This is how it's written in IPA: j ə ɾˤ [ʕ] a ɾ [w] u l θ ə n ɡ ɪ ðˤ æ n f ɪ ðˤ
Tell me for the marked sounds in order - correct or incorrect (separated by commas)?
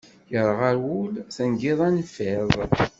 incorrect, correct